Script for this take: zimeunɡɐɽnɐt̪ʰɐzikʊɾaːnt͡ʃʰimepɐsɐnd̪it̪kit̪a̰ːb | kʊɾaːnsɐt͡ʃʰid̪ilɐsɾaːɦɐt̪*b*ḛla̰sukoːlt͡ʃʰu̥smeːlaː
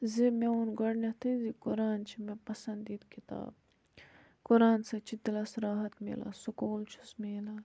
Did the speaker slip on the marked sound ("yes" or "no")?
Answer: yes